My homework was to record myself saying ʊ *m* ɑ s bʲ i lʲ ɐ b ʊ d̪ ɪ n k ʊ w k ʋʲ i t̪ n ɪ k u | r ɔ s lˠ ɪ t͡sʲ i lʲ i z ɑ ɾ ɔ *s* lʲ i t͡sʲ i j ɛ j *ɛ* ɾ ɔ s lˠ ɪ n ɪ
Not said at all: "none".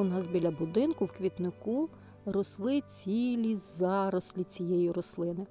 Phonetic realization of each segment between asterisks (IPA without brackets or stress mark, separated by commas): n, s, i